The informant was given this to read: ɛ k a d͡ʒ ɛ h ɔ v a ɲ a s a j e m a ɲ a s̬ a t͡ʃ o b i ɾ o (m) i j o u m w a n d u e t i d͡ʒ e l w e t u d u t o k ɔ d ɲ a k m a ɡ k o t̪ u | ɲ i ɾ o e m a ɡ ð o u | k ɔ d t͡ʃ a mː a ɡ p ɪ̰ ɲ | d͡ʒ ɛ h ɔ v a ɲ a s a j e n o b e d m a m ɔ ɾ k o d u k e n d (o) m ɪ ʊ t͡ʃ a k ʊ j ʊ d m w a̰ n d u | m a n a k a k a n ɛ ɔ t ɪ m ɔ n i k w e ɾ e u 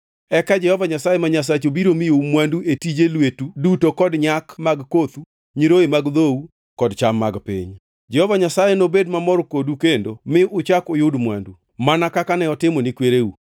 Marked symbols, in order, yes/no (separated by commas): yes, yes